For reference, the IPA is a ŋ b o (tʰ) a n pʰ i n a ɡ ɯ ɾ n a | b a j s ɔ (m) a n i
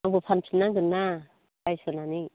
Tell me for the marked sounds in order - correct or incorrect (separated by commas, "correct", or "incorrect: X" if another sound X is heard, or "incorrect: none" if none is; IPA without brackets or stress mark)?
incorrect: pʰ, incorrect: n